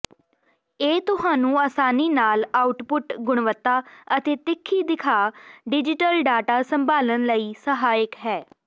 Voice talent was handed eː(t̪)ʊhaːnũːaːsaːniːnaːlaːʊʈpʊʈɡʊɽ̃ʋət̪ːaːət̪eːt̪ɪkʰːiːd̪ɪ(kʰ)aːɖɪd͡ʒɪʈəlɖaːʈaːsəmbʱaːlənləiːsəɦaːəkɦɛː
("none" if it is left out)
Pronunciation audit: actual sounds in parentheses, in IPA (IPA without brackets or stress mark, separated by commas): t̪, kʰ